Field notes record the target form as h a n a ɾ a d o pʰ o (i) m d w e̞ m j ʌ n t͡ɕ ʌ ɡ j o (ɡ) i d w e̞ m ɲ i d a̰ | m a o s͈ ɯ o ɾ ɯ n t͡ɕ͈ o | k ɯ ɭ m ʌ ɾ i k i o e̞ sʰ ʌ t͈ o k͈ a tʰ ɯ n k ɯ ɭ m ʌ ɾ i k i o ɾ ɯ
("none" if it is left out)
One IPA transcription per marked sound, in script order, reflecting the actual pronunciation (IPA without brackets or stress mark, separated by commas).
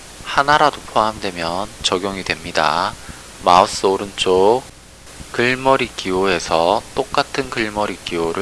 a, ŋ